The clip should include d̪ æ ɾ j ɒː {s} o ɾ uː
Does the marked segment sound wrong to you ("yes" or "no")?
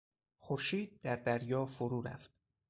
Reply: yes